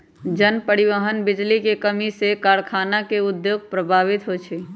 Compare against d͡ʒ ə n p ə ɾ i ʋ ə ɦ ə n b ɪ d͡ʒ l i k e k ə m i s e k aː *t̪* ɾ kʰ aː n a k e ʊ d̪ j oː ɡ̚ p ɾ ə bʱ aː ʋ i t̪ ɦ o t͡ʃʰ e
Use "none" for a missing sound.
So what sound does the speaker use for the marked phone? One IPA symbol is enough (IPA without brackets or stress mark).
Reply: none